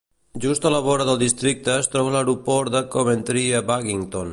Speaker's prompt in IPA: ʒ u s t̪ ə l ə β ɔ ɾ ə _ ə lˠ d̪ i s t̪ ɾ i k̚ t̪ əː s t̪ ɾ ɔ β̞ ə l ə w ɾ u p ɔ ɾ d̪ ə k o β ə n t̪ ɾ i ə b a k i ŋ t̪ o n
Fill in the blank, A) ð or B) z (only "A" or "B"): A